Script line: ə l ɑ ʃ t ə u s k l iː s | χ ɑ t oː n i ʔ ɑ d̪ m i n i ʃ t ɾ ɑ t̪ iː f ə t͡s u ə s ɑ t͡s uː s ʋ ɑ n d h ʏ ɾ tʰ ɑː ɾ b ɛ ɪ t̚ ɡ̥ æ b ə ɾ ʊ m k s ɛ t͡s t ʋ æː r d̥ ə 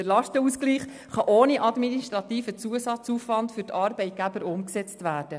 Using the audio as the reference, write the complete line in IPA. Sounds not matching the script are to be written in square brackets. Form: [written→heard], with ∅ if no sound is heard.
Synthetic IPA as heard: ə l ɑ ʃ t ə u s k l iː [s→χ] | χ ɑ [t→ʔ] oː n i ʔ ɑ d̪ m i n i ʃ t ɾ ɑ t̪ iː f ə t͡s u ə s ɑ t͡s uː [s→f] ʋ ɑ n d [h→f] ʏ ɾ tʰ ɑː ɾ b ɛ ɪ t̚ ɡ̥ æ b ə ɾ ʊ m k s ɛ t͡s t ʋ æː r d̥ ə